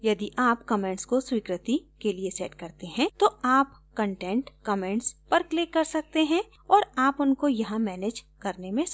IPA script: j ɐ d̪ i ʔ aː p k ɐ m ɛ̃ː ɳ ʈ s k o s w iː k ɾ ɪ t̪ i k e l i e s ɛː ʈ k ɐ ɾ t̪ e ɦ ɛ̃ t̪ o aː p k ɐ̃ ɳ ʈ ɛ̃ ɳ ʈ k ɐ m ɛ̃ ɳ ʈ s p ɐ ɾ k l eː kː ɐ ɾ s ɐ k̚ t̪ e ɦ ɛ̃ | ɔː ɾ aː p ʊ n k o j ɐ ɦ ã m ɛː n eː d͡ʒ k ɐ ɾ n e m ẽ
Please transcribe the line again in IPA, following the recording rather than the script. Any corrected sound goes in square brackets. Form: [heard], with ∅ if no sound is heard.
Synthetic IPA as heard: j ɐ d̪ i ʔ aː p k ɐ m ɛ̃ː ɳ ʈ s k o s w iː k ɾ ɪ t̪ i k e l i e s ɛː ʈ k ɐ ɾ t̪ e ɦ ɛ̃ t̪ o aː p k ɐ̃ ɳ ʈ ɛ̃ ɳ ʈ k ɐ m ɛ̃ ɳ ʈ s p ɐ ɾ k l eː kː ɐ ɾ s ɐ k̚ t̪ e ɦ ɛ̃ | ɔː ɾ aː p ʊ n k o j ɐ ɦ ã m ɛː n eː d͡ʒ k ɐ ɾ n e m ẽ